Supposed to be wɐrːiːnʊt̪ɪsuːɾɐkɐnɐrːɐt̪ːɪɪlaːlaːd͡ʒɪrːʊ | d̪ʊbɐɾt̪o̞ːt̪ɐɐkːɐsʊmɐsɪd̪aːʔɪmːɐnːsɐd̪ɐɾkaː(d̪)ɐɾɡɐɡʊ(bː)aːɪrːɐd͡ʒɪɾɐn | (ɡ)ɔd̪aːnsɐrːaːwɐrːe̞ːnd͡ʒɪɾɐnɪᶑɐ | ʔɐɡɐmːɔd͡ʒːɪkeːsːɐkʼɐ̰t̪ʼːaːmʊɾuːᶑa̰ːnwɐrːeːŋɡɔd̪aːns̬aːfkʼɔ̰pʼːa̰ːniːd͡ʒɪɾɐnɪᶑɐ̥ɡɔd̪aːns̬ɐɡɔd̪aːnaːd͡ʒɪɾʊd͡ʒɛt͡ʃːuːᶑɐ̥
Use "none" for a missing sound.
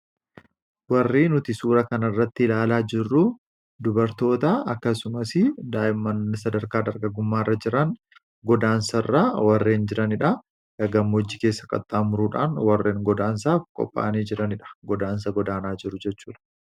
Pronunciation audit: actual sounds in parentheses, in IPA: d̪, mː, ɡ

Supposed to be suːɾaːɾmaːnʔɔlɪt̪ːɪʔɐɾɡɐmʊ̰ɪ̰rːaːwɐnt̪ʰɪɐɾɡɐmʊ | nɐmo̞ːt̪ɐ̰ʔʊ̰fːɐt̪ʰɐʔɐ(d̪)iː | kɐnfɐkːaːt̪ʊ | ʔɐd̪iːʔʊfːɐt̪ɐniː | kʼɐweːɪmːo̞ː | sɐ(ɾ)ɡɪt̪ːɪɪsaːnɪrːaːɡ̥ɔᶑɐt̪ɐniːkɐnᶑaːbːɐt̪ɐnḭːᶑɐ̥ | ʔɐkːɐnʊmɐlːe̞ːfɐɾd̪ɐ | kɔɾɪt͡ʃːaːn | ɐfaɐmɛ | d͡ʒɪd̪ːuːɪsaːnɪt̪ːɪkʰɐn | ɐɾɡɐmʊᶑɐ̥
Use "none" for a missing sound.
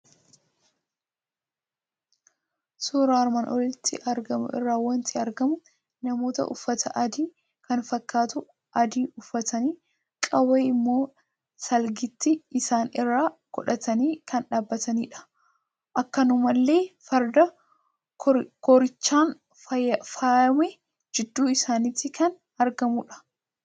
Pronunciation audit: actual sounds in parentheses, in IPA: d̪, l

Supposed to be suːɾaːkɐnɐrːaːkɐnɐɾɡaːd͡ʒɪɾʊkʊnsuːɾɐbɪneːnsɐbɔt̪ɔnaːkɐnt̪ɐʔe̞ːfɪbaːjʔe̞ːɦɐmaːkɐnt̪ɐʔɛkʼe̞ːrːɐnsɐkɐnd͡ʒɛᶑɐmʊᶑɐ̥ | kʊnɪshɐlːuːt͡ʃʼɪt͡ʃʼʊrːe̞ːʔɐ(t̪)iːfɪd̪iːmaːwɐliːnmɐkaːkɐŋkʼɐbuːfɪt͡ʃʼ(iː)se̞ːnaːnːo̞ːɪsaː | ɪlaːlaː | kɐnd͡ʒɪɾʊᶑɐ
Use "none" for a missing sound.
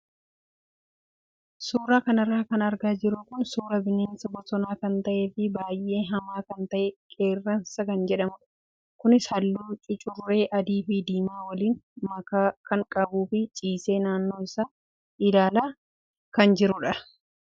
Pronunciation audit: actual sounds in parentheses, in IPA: d̪, iː

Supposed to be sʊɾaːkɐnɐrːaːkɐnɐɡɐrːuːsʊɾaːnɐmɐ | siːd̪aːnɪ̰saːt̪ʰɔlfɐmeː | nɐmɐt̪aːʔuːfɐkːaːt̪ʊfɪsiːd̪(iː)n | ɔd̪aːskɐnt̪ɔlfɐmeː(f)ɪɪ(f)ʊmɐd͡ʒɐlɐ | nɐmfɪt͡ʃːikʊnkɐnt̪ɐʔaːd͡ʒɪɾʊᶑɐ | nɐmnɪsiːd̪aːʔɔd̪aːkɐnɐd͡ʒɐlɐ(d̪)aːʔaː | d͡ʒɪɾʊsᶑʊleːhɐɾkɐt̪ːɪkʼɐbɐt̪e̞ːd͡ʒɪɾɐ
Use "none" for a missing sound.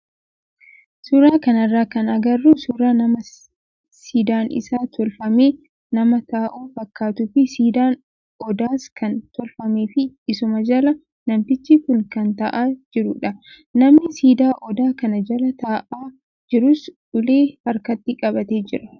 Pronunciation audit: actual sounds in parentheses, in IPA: aː, f, s, t̪

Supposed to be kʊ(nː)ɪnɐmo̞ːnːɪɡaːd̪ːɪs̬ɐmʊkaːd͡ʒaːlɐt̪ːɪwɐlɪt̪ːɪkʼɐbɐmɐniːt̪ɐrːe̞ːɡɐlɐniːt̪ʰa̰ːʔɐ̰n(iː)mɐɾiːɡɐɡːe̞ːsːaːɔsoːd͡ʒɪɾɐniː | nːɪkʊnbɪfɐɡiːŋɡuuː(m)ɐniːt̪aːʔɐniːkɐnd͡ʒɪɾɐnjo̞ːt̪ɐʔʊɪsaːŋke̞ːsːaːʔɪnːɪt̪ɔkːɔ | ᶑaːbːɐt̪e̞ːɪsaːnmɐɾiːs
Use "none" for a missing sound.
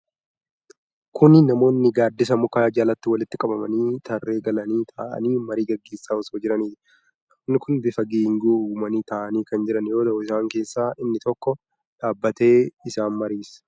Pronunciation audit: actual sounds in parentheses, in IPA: n, iː, m

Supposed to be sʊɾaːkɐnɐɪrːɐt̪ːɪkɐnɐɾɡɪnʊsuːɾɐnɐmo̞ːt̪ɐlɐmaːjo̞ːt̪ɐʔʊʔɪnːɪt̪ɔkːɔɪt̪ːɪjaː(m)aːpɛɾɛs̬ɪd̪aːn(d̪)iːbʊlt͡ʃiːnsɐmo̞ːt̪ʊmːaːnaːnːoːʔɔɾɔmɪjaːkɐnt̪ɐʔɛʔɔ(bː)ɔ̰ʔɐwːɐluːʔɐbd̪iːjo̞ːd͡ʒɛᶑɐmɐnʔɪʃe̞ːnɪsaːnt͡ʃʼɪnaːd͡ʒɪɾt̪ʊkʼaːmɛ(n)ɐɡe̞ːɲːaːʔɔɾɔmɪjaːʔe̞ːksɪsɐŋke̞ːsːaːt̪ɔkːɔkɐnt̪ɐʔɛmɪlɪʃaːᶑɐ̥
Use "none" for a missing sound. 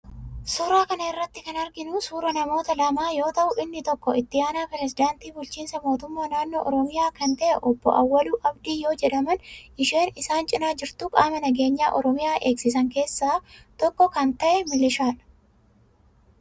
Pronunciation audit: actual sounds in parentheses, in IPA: n, t̪, bː, n

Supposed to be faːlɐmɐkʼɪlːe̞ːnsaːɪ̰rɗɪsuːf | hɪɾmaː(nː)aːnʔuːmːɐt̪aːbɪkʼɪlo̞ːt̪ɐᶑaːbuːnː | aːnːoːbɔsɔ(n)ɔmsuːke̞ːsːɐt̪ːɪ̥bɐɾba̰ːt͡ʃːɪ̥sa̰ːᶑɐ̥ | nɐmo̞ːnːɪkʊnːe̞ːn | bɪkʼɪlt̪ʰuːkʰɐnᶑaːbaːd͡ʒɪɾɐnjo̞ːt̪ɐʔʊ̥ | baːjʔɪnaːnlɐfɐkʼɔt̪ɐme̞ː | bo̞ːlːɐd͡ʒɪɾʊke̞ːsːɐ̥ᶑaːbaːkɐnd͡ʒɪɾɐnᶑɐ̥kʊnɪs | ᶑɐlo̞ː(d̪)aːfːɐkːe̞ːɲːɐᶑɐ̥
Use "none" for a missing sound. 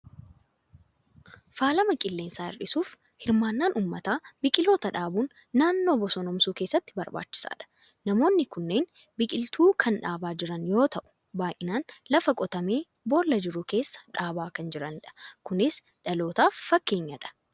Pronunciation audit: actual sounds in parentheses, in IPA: nː, n, t̪

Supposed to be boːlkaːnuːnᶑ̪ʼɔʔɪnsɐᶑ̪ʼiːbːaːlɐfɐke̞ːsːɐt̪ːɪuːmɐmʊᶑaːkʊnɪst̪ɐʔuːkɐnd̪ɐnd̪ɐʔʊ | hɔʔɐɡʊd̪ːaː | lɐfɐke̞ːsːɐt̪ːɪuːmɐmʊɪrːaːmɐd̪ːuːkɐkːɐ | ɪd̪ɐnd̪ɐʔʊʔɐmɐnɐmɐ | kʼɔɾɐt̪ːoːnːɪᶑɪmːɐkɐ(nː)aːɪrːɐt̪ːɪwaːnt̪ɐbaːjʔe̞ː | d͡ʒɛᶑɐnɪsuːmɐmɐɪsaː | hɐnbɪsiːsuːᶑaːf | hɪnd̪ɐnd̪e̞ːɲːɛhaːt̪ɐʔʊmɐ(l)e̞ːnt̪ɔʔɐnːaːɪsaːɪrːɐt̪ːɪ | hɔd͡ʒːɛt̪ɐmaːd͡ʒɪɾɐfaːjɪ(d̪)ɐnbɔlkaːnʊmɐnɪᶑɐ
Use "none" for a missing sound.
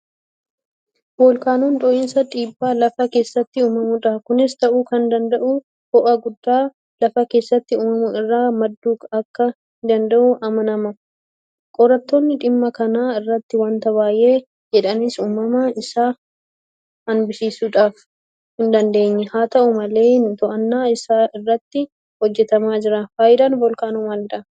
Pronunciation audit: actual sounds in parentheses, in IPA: n, l, d̪

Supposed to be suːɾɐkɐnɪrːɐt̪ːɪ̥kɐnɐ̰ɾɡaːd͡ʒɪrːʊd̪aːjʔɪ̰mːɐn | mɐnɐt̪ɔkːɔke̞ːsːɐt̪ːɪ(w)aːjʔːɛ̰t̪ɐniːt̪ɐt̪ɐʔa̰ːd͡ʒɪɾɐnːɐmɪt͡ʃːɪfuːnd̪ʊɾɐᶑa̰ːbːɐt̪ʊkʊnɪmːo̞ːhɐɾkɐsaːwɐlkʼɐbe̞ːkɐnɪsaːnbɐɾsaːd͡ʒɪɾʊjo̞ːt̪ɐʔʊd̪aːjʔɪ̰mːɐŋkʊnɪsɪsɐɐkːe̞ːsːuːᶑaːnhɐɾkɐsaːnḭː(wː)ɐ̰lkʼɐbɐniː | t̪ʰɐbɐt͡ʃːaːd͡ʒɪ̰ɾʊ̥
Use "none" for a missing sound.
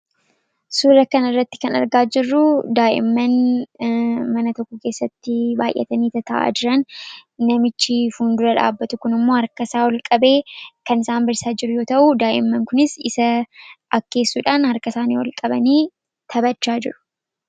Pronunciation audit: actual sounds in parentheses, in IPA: b, w

